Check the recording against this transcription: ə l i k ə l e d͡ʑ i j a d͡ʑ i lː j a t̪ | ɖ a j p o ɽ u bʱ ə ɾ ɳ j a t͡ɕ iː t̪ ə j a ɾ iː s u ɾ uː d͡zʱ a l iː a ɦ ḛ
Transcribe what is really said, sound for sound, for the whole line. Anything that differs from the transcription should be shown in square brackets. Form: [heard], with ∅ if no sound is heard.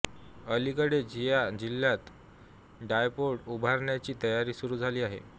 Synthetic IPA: ə l i k ə [ɽ] e d͡ʑ i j a d͡ʑ i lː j a t̪ | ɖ a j p o ɽ u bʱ [a] ɾ ɳ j a t͡ɕ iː t̪ ə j a ɾ iː s u ɾ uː d͡zʱ a l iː a ɦ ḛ